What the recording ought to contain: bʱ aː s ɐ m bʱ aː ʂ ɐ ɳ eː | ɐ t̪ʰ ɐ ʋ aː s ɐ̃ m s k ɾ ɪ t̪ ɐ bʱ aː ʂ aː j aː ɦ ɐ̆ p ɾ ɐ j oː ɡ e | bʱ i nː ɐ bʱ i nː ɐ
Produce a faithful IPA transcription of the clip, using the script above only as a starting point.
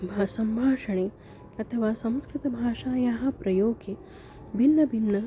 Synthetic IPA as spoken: bʱ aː s ɐ m bʱ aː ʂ ɐ ɳ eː | ɐ t̪ʰ ɐ ʋ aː s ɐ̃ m s k ɾ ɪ t̪ ɐ bʱ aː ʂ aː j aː ɦ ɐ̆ p ɾ ɐ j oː ɡ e | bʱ i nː ɐ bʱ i nː ɐ